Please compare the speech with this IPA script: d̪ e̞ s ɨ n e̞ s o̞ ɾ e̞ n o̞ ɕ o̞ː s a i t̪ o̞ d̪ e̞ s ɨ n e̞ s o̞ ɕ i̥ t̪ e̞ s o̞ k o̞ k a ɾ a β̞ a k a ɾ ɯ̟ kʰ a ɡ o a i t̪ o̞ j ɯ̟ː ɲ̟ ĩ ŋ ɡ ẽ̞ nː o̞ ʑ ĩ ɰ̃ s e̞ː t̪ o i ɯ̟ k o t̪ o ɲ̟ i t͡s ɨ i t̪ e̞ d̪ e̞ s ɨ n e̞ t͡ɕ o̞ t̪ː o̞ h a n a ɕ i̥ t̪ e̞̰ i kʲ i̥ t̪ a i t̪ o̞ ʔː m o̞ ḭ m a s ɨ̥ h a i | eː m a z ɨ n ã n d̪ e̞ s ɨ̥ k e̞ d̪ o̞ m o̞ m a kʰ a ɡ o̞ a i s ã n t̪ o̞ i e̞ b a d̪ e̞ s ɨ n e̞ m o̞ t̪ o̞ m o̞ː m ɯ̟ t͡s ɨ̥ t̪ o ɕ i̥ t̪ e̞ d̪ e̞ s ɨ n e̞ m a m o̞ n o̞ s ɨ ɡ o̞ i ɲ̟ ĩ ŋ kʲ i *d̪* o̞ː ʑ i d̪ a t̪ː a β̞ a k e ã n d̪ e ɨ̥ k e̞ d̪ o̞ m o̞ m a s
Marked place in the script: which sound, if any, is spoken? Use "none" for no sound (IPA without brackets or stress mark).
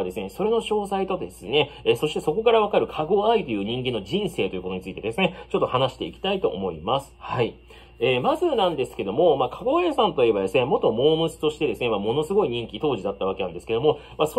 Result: t̪